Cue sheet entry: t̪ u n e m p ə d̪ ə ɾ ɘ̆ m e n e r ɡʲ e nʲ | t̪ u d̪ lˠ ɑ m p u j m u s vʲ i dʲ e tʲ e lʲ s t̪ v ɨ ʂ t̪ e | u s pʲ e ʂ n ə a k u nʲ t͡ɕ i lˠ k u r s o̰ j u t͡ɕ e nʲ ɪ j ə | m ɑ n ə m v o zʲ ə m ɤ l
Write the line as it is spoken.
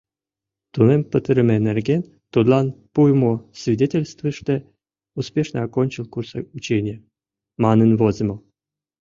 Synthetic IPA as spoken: t̪ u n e m p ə t̪ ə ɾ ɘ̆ m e n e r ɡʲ e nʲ | t̪ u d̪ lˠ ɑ n p u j m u s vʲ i dʲ e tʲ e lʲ s t̪ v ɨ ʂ t̪ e | u s pʲ e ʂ n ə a k o nʲ t͡ɕ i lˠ k u r s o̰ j u t͡ɕ e nʲ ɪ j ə | m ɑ n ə n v o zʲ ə m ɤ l